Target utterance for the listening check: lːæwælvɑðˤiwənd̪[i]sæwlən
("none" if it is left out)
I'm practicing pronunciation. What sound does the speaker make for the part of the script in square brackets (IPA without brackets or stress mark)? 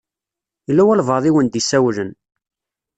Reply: i